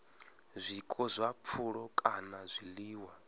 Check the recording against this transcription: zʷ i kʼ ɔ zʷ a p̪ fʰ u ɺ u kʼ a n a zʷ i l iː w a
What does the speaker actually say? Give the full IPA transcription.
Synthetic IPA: zʷ i kʼ ɔ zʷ a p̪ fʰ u ɺ ɔ kʼ a n a zʷ i l iː w a